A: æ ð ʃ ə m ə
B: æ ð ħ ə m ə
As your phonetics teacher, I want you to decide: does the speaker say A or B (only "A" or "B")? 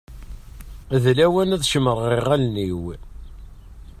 A